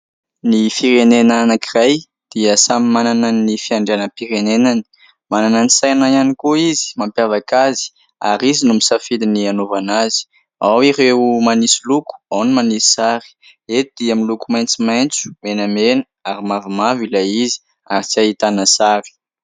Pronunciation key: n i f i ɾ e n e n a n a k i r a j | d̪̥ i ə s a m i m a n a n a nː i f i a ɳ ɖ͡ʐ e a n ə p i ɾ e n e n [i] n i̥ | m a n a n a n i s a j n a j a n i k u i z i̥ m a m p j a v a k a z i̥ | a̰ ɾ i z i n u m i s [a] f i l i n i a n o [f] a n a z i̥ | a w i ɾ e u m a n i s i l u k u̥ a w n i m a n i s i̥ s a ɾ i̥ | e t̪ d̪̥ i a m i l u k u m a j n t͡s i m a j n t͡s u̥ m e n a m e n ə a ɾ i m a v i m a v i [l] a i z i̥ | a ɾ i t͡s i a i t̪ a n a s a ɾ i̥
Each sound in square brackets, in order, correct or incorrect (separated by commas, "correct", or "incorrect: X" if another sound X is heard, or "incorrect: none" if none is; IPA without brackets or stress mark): incorrect: a, correct, incorrect: v, correct